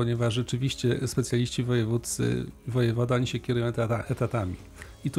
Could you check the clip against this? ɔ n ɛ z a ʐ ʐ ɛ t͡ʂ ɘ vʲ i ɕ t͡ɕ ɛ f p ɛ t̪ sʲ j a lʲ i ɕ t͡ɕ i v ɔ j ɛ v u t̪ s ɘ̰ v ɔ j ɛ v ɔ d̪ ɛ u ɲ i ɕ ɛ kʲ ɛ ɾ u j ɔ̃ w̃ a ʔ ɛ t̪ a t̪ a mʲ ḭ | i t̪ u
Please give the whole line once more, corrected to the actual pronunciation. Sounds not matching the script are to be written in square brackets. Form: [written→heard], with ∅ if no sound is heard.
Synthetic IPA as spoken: ɔ [n→ɲ] ɛ [z→v] a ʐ ʐ ɛ t͡ʂ ɘ vʲ i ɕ t͡ɕ ɛ [f→s] p ɛ t̪ sʲ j a lʲ i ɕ t͡ɕ i v ɔ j ɛ v u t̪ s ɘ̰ v ɔ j ɛ v ɔ d̪ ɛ [u→ɔ] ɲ i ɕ ɛ kʲ ɛ ɾ u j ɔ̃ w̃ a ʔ ɛ t̪ a t̪ a mʲ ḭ | i t̪ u